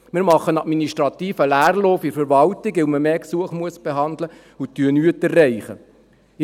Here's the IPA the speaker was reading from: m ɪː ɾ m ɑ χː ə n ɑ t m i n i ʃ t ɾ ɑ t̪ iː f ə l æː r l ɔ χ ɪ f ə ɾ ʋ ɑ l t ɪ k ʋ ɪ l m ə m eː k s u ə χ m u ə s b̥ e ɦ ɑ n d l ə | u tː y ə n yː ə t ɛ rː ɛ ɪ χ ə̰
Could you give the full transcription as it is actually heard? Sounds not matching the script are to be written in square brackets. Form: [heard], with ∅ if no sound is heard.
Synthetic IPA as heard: m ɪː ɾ m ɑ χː ə n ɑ t m i n i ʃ t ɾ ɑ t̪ iː f ə l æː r l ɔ [f] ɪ f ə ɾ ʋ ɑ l t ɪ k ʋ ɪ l m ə m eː k s u ə χ m u ə s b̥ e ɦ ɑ n d l ə | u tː y ə n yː ə t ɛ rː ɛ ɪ χ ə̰

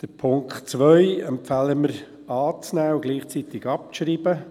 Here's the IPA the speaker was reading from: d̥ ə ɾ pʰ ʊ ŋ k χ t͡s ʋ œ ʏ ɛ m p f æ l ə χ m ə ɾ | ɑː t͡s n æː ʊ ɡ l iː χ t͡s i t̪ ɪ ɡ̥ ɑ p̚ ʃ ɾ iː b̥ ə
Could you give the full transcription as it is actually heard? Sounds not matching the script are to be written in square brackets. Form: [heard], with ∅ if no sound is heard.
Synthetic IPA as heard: d̥ ə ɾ pʰ ʊ ŋ k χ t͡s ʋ œ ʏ ɛ m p f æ l ə [∅] m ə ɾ | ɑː t͡s n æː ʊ ɡ l iː χ t͡s i t̪ ɪ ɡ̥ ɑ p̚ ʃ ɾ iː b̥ ə

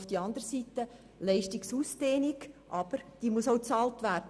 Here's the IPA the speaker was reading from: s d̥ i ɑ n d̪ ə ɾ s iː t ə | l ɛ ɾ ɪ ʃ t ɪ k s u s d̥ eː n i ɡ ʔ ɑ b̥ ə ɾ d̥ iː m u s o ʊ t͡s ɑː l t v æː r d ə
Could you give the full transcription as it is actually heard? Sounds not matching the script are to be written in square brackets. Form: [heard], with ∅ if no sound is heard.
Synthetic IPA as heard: [f] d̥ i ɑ n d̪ ə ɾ s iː t ə | l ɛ [∅] ɪ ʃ t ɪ k s u s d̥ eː n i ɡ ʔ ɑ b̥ ə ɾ d̥ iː m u s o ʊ t͡s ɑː l t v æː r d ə

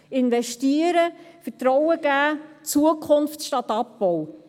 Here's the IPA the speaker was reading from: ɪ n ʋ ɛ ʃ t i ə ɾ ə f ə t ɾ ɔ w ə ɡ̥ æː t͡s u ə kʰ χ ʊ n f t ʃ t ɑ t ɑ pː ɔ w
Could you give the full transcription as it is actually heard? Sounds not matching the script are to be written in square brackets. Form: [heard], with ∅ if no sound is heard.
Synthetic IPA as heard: ɪ n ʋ ɛ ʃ t i ə ɾ ə f ə t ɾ ɔ w ə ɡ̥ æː t͡s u ə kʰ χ ʊ n f t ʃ t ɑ t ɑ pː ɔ w

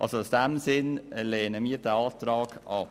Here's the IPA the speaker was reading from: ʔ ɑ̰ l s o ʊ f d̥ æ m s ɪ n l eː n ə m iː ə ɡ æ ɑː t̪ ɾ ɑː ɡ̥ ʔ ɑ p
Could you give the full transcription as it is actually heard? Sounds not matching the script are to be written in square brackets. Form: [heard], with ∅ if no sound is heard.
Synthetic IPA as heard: ʔ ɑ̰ l s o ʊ [s] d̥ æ m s ɪ n l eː n ə m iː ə [d] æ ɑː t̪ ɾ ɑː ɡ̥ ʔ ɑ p

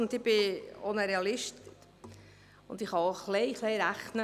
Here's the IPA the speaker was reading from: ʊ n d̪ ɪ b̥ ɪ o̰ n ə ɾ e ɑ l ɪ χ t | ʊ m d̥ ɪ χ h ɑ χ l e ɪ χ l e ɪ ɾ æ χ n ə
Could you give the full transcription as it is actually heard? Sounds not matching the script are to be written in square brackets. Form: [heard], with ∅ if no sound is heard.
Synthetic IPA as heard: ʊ n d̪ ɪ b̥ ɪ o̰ n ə ɾ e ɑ l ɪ [ʃ] t | ʊ [n] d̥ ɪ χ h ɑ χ l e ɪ χ l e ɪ ɾ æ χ n ə

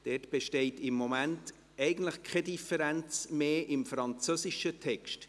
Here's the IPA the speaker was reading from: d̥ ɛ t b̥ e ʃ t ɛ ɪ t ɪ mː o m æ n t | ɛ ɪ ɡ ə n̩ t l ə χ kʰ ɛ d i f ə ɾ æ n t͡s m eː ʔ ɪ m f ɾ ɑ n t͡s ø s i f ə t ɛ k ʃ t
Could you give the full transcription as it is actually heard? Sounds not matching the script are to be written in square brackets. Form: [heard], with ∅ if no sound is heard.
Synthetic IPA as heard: d̥ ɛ t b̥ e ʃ t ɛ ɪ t ɪ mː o m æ n t | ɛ ɪ ɡ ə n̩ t l ə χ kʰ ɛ d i f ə ɾ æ n t͡s m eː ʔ ɪ m f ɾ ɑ n t͡s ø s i [ʃ] ə [tʰ] ɛ k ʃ t

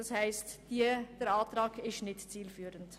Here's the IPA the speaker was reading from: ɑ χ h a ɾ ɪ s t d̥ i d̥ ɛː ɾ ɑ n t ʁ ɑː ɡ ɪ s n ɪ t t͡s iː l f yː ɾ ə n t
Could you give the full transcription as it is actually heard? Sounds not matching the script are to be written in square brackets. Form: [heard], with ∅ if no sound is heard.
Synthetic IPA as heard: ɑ [s] h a [∅] ɪ s t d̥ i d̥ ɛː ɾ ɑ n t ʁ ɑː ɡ ɪ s n ɪ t t͡s iː l f yː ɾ ə n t

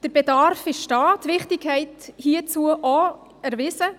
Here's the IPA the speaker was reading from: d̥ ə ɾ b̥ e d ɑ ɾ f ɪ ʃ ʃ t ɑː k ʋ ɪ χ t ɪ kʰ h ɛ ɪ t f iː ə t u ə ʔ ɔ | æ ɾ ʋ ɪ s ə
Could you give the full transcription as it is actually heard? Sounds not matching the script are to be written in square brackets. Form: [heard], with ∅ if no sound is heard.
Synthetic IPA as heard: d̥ ə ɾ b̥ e d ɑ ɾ f ɪ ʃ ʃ t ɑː [t] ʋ ɪ χ t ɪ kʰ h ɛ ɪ t [h] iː ə [t͡s] u ə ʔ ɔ | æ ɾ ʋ ɪ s ə

